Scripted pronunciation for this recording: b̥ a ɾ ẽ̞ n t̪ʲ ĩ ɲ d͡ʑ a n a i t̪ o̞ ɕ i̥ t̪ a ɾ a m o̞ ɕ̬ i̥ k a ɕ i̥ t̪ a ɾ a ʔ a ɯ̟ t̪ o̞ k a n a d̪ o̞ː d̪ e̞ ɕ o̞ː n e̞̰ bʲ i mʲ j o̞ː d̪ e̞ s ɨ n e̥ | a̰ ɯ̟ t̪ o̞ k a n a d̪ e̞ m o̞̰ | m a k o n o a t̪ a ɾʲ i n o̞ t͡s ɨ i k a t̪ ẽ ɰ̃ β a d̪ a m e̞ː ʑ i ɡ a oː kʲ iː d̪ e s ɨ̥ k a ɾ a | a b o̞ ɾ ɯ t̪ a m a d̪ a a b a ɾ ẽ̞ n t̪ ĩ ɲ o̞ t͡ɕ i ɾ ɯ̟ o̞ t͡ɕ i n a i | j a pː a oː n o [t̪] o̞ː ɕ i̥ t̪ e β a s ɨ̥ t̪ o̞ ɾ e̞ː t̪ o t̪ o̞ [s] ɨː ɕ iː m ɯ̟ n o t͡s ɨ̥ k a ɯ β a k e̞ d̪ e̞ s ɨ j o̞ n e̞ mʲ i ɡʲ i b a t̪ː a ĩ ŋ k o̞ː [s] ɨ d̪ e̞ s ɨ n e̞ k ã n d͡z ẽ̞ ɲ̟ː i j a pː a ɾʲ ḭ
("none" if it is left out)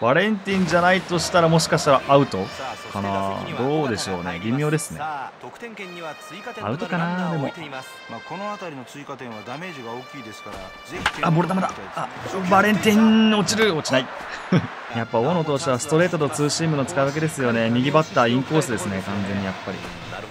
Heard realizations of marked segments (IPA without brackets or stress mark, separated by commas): t̪, t͡s, s